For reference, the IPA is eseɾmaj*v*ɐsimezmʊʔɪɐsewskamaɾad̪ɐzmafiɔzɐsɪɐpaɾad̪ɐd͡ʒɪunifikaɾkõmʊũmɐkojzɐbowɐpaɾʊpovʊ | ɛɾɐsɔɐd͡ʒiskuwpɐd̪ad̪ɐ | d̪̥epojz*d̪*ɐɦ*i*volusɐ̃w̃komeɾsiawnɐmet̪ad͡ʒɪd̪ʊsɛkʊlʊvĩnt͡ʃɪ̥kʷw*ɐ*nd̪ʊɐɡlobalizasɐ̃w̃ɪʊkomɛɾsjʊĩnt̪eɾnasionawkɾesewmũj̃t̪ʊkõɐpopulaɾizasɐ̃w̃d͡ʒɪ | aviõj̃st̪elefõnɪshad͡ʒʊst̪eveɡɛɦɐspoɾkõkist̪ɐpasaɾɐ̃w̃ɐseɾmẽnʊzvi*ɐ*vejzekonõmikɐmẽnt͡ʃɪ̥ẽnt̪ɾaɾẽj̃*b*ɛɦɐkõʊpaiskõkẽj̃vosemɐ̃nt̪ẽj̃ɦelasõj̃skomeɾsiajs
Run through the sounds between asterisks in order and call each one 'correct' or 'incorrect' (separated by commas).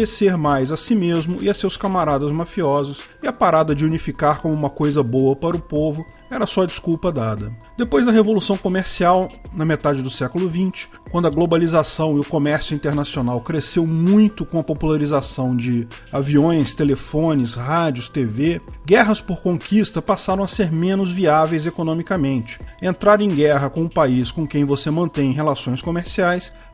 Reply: incorrect, correct, incorrect, incorrect, incorrect, incorrect